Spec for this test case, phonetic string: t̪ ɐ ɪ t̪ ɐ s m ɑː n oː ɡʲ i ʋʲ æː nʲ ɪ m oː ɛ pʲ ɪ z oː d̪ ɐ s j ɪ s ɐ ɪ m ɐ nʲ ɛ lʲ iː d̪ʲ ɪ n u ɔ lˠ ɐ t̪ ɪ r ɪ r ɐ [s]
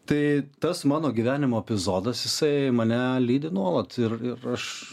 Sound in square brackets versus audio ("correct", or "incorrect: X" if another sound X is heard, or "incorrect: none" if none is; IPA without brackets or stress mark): incorrect: ʃ